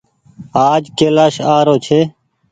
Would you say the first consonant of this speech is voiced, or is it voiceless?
voiced